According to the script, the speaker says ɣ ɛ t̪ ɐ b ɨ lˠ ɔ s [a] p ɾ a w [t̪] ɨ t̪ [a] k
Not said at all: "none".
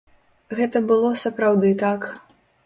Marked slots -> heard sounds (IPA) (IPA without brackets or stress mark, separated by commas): ɐ, d̪, a